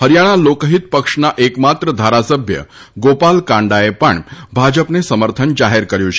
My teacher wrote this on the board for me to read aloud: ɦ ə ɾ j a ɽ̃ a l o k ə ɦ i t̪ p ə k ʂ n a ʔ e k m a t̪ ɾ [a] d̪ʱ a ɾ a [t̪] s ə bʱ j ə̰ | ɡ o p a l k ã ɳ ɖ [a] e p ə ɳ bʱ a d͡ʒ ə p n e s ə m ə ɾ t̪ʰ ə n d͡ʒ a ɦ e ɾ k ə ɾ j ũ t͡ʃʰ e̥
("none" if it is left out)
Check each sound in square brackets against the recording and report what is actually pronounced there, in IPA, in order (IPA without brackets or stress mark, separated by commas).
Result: ə, none, a